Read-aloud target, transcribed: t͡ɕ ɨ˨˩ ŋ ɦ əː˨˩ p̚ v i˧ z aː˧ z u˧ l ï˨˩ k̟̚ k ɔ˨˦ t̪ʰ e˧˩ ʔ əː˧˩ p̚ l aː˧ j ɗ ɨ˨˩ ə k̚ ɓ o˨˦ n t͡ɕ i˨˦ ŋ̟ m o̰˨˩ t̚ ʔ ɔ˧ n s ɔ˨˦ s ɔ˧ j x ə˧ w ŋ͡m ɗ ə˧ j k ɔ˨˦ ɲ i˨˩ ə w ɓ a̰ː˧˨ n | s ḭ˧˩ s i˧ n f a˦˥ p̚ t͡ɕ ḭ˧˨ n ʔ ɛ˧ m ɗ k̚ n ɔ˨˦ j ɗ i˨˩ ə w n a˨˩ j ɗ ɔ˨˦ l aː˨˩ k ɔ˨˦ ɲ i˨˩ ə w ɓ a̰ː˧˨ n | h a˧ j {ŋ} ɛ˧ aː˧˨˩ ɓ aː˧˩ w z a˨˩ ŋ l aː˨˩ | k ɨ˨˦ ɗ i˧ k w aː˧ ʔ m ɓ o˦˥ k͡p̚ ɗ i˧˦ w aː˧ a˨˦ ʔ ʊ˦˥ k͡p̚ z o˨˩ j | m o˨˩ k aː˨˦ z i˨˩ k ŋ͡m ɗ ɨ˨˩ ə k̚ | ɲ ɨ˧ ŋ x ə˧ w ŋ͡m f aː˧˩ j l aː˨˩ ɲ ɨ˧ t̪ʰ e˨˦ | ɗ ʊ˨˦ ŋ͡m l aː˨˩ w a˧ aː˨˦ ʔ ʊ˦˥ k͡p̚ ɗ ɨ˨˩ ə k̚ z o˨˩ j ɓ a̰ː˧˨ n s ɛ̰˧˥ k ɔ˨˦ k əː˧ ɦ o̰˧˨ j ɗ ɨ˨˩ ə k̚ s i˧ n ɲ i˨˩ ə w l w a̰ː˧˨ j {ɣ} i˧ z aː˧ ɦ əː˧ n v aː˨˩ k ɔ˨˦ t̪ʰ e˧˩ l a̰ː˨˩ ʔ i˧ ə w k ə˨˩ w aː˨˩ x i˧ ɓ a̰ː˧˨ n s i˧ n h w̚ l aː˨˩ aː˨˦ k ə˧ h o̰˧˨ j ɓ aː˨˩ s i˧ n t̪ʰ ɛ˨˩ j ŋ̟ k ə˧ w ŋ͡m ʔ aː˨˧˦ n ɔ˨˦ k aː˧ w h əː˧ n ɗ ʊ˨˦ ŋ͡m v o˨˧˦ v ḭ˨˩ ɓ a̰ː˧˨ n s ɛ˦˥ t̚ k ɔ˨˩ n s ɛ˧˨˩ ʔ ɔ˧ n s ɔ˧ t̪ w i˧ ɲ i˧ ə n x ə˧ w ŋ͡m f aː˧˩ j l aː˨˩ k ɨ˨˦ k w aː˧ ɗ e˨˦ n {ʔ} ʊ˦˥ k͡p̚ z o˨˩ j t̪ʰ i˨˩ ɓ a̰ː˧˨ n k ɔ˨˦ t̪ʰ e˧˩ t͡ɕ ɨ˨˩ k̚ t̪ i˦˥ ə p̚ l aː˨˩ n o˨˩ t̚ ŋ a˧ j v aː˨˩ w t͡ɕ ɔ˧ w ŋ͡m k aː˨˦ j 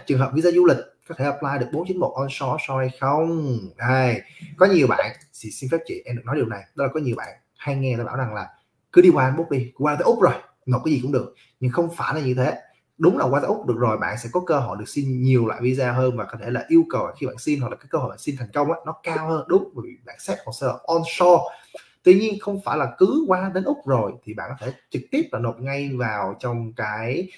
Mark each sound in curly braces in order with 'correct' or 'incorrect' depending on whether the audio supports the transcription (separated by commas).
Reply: correct, incorrect, correct